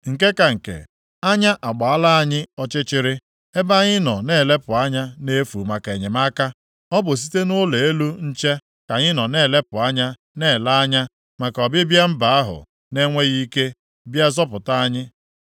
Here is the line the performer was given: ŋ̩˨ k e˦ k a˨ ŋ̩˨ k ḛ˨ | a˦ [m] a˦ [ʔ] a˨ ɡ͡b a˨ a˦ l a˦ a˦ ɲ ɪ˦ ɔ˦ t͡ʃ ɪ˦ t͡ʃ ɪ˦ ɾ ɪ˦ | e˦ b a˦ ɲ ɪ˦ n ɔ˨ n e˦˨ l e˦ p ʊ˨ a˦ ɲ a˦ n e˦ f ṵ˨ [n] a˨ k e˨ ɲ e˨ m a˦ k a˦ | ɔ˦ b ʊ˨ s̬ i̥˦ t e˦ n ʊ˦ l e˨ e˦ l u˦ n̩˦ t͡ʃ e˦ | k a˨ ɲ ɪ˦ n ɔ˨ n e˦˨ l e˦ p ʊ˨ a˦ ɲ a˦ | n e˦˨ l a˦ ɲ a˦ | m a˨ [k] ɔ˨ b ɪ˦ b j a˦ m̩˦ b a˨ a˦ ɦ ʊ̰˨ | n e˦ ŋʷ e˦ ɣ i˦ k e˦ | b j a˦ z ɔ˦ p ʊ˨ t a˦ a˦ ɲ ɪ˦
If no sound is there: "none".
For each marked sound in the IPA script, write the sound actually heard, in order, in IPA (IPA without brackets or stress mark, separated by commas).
ɲ, ʔ, m, k